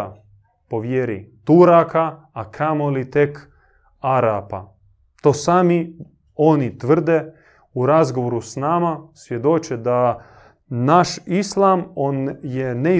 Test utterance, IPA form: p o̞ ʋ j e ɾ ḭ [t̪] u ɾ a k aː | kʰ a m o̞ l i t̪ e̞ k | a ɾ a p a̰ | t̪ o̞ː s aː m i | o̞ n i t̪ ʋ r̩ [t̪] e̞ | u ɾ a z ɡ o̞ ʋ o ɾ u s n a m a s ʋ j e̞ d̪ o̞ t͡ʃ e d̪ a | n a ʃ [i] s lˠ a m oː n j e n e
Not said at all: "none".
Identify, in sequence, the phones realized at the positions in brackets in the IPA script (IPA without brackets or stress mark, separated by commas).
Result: t̪, d̪, i